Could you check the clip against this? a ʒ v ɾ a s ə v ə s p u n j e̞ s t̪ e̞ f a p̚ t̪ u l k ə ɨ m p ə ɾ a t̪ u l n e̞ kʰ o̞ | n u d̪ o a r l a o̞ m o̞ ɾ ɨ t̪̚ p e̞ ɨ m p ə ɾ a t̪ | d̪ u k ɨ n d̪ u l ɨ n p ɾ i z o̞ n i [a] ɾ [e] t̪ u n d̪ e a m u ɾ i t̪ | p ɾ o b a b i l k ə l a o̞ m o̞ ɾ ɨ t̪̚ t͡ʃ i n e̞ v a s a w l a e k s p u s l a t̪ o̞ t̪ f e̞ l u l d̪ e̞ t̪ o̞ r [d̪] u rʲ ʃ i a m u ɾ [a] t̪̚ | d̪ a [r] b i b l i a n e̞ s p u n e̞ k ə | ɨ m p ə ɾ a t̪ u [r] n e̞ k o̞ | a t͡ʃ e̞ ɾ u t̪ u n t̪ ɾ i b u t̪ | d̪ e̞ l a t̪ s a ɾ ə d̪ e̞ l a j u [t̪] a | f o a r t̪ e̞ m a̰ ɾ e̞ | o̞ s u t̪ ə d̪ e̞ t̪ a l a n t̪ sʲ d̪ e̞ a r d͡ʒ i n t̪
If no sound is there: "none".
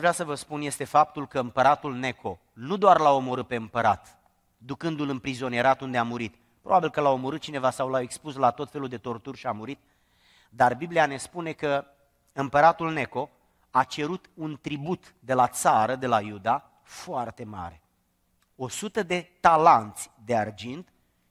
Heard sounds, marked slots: e, a, t̪, i, r, l, d̪

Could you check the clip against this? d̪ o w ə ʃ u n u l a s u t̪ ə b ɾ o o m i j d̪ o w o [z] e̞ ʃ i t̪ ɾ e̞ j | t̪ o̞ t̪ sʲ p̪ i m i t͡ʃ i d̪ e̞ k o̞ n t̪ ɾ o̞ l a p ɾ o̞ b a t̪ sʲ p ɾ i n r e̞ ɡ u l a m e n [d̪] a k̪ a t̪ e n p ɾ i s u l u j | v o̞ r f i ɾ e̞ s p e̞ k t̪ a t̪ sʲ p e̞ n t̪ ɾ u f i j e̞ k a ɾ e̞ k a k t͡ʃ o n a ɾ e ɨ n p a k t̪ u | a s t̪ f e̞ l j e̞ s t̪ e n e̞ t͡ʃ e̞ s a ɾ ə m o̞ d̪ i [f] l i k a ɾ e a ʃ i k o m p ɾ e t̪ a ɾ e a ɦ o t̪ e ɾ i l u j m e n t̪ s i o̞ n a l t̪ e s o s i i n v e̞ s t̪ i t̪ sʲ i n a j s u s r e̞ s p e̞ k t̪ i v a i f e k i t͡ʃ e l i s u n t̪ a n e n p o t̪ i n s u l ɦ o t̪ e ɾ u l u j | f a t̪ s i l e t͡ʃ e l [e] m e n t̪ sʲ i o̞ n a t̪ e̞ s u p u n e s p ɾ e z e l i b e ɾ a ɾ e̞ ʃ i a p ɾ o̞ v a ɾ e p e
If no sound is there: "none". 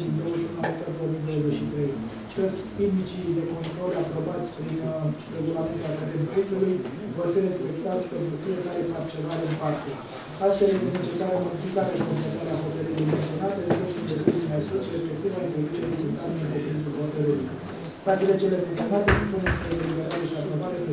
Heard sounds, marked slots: z, t̪, f, e

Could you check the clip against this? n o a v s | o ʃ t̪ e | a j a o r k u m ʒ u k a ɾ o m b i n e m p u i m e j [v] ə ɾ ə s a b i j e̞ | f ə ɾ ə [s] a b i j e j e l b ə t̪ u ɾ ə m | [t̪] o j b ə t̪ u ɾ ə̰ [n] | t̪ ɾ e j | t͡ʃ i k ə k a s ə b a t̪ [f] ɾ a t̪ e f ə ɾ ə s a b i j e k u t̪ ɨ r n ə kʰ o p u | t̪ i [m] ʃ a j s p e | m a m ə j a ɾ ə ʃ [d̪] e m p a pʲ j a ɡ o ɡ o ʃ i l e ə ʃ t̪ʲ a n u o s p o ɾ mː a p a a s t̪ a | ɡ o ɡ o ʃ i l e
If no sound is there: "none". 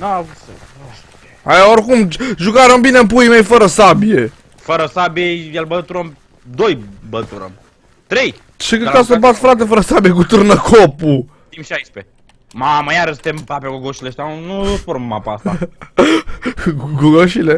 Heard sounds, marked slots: f, s, d̪, m, f, m, t̪

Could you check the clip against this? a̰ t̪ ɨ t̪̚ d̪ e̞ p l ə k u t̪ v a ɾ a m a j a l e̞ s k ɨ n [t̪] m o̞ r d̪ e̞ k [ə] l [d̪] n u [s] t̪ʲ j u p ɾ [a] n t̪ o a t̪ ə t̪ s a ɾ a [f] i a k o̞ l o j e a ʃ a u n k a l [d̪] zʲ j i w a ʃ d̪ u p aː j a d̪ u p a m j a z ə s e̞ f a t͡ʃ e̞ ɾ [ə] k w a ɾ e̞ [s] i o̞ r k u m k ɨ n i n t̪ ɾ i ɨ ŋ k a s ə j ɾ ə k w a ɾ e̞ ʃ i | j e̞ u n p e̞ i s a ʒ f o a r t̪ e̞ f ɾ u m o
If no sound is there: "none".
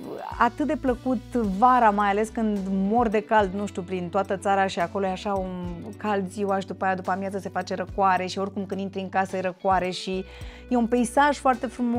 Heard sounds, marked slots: d̪, a, d̪, ʃ, i, ʃ, d̪, ə, ʃ

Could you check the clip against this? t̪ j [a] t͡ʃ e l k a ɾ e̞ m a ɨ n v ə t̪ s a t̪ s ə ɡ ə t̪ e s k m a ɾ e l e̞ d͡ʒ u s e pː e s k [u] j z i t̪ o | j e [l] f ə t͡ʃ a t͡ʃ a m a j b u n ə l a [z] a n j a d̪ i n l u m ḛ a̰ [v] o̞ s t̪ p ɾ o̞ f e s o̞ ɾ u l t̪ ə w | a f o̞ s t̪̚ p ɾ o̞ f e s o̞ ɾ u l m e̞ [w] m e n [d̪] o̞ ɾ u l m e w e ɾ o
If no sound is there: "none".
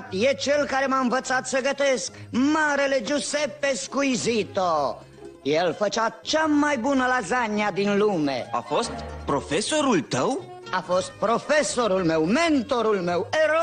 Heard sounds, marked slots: e, u, l, z, f, w, t̪

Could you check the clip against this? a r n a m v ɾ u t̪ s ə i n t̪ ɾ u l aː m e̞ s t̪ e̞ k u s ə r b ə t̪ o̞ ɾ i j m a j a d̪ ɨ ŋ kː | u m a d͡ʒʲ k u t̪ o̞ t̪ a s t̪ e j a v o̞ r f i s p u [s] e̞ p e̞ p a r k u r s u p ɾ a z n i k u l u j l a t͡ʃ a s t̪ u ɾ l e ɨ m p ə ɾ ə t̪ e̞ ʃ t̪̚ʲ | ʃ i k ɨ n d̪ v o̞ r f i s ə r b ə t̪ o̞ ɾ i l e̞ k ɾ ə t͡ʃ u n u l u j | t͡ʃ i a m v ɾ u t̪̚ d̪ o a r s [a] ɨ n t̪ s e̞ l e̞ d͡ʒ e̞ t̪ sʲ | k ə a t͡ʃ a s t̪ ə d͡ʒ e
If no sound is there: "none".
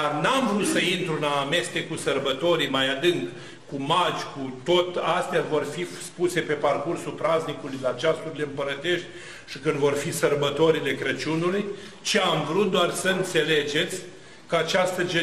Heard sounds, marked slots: s, ə

